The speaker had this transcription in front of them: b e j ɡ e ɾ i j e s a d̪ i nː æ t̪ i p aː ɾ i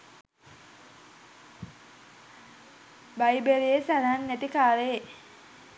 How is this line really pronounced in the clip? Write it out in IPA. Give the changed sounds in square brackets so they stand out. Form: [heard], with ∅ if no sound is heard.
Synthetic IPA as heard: b [a] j [b] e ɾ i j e s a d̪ [a] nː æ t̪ i [k] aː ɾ [e]